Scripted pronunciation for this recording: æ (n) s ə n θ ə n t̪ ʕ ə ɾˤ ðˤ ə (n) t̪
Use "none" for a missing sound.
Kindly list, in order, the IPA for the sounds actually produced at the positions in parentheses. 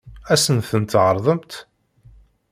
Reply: none, m

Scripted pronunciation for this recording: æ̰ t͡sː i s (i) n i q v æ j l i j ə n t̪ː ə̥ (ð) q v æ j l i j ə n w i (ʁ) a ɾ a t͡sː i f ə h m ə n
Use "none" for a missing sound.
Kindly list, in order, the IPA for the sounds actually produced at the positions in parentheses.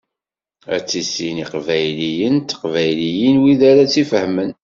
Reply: i, none, ð

